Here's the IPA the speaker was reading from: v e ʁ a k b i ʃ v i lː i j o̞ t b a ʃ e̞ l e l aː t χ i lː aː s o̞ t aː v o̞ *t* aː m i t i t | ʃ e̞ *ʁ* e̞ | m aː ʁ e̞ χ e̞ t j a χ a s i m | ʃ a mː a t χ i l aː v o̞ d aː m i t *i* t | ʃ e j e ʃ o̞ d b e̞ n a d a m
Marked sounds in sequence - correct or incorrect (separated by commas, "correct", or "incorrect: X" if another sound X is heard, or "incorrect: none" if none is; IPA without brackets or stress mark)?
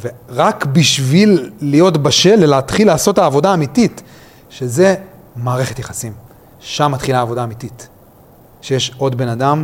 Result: incorrect: d, incorrect: z, correct